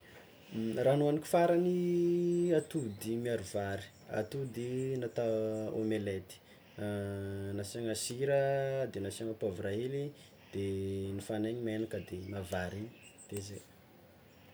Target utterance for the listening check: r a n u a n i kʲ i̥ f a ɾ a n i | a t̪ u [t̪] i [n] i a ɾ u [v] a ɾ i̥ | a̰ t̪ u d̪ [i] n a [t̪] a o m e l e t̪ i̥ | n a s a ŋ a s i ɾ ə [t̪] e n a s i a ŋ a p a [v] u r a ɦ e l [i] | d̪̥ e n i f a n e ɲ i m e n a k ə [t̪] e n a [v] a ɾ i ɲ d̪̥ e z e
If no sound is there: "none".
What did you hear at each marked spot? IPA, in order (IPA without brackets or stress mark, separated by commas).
d̪, m, v, i, t̪, d̪, v, i, d̪, v